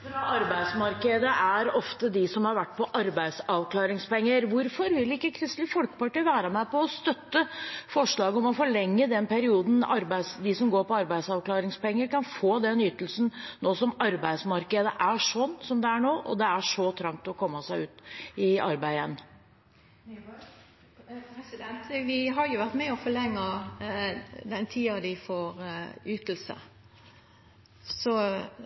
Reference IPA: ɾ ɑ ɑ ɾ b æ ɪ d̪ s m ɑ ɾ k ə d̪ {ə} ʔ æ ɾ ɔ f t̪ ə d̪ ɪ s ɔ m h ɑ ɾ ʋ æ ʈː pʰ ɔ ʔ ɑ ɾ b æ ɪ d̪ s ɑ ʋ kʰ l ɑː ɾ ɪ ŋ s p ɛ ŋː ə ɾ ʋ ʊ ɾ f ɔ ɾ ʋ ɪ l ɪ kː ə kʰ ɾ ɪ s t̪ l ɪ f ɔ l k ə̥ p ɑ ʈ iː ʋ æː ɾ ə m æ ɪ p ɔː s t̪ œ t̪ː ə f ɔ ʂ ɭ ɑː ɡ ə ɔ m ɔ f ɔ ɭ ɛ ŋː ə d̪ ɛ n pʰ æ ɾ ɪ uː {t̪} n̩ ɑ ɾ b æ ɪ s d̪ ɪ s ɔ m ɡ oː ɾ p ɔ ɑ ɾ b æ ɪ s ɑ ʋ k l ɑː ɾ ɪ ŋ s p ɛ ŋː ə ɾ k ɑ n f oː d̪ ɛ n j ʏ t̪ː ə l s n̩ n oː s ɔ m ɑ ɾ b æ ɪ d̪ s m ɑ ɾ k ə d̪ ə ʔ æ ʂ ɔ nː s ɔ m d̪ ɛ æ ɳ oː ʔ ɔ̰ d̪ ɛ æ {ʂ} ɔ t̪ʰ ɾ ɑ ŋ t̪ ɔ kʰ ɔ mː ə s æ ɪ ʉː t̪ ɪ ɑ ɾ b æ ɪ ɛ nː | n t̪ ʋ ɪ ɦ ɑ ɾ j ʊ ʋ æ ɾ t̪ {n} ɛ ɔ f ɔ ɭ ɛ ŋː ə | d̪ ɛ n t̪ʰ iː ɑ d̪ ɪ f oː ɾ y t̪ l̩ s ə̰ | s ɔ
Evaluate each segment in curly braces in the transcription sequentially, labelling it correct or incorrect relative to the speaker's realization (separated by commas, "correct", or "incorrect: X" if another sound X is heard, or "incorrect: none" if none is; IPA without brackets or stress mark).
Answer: correct, incorrect: d̪, correct, incorrect: m